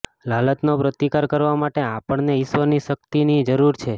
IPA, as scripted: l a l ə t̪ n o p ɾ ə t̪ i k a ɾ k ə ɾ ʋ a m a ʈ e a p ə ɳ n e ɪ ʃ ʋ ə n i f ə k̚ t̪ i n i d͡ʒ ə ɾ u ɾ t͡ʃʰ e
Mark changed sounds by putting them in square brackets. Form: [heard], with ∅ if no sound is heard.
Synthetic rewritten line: l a l ə t̪ n o p ɾ ə t̪ i k a ɾ k ə ɾ ʋ a m a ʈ e a p ə ɳ n e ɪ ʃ ʋ ə n i [ʃ] ə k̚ t̪ i n i d͡ʒ ə ɾ u ɾ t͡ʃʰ e